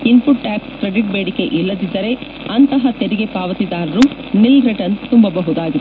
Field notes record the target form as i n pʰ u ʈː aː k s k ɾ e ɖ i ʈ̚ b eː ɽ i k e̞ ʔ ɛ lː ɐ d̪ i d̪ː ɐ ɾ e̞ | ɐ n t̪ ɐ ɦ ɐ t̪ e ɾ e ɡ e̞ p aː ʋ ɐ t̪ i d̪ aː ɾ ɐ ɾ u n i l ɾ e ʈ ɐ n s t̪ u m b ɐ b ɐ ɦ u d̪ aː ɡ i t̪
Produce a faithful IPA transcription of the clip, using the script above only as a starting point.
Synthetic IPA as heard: i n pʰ u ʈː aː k s k ɾ e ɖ i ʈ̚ b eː ɽ i k e̞ ʔ i lː ɐ d̪ i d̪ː ɐ ɾ e̞ | ɐ n t̪ ɐ ɦ ɐ t̪ e ɾ i ɡ e̞ p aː ʋ ɐ t̪ i d̪ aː ɾ ɐ ɾ u n i l ɾ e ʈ ɐ n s t̪ u m b ɐ b ɐ ɦ u d̪ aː ɡ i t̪